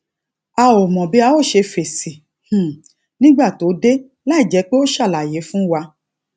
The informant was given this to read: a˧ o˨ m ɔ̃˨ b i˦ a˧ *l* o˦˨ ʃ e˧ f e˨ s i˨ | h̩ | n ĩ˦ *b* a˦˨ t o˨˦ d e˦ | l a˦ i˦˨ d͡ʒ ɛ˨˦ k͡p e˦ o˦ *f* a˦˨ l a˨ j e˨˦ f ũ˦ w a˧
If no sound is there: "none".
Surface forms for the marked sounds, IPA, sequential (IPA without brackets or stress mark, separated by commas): none, ɡ͡b, ʃ